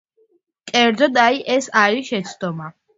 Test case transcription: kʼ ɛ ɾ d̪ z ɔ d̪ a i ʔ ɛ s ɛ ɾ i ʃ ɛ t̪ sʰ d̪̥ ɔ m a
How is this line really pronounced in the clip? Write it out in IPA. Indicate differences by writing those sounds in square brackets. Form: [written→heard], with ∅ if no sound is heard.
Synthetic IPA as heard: kʼ ɛ ɾ d̪ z ɔ d̪ a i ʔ ɛ s [ɛ→a] ɾ i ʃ ɛ t̪ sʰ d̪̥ ɔ m a